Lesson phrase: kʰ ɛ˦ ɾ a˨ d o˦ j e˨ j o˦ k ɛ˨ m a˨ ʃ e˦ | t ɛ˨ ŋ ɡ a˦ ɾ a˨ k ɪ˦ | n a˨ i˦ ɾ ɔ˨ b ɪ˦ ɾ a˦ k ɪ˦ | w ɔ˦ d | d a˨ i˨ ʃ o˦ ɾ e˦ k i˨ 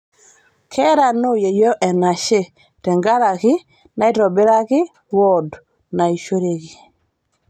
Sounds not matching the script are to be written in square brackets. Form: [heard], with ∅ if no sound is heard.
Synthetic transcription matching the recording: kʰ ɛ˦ ɾ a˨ [n] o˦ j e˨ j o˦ [ʔ] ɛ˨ [n] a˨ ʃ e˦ | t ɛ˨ ŋ ɡ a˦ ɾ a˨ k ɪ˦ | n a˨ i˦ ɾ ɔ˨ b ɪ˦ ɾ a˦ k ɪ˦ | w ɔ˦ d | [n] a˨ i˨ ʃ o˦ ɾ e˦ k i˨

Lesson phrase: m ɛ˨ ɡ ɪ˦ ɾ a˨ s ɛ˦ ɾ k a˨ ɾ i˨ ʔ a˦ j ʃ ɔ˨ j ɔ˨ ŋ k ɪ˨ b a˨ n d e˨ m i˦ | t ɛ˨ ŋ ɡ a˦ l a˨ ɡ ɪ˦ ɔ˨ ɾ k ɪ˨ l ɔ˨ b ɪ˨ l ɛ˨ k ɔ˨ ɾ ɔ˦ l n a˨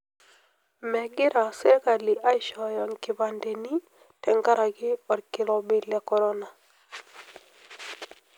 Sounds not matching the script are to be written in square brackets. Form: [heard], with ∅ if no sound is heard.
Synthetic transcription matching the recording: m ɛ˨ ɡ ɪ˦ ɾ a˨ s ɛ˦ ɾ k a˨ [l] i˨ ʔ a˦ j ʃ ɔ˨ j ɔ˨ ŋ k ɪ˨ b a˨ n d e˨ [n] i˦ | t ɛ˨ ŋ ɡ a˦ [ɾ] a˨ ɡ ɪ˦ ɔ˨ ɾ k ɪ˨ l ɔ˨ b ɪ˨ l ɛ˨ k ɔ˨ ɾ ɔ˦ [∅] n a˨

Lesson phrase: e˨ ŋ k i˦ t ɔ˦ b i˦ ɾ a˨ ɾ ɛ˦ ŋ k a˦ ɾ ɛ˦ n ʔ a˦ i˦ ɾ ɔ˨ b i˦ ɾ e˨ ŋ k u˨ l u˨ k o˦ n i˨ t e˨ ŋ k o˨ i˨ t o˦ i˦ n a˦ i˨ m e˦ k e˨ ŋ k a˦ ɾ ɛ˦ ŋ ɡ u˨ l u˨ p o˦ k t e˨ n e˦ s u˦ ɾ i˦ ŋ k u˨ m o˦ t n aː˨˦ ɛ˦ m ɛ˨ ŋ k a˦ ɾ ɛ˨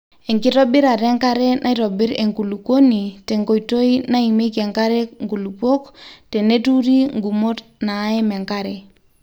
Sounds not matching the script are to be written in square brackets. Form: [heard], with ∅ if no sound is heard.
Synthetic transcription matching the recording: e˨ ŋ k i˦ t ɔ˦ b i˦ ɾ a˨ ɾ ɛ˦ ŋ k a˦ ɾ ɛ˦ n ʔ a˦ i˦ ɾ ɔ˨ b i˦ ɾ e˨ ŋ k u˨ l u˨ k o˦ n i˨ t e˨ ŋ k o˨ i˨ t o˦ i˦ n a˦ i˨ m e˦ k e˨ ŋ k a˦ ɾ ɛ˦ ŋ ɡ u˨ l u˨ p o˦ k t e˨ n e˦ [t] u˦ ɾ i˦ ŋ [ɡ] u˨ m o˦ t n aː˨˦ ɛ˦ m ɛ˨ ŋ k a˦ ɾ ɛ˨

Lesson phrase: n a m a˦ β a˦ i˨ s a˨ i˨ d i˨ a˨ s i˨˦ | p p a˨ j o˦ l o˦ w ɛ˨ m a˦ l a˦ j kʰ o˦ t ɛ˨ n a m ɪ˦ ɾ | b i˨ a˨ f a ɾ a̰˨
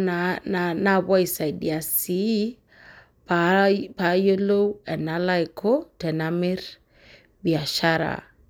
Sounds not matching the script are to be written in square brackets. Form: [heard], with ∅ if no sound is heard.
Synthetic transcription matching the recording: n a [n] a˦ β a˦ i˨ s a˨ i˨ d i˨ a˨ s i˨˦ | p p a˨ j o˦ l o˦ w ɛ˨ [n] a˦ l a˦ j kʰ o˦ t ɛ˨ n a m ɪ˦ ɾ | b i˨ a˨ [ʃ] a ɾ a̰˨

